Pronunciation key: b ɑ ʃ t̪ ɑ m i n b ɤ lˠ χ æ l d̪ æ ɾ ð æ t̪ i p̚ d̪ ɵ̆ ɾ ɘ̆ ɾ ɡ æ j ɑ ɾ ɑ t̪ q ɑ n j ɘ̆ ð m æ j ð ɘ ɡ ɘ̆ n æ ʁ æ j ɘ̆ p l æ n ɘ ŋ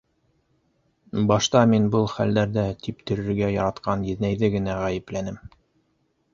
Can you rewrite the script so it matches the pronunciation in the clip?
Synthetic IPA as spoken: b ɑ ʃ t̪ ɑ m i n b ɤ lˠ χ æ l d̪ æ ɾ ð æ t̪ i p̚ t̪ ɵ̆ ɾ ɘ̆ ɾ ɡ æ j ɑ ɾ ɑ t̪ q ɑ n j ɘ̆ ð n æ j ð ɘ ɡ ɘ̆ n æ ʁ æ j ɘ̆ p l æ n ɘ m